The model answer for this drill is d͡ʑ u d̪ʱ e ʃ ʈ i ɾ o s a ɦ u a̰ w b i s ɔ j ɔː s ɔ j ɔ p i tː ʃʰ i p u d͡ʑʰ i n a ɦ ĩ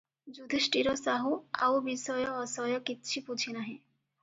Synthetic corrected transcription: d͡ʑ u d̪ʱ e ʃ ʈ i ɾ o s a ɦ u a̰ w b i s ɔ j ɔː s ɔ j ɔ k i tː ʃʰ i p u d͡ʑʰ i n a ɦ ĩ